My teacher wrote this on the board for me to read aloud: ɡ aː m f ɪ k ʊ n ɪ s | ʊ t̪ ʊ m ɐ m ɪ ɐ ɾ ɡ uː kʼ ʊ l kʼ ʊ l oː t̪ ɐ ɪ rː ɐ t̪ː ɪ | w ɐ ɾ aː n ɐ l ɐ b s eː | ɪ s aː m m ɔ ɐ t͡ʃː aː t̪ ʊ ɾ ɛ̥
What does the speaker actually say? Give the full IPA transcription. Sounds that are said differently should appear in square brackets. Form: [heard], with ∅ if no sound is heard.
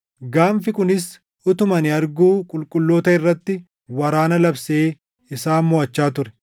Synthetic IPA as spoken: ɡ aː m f ɪ k ʊ n ɪ s | ʊ t̪ ʊ m ɐ [n] ɪ ɐ ɾ ɡ uː kʼ ʊ l kʼ ʊ [lː] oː t̪ ɐ ɪ rː ɐ t̪ː ɪ | w ɐ ɾ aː n ɐ l ɐ b s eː | ɪ s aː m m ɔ ɐ t͡ʃː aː t̪ ʊ ɾ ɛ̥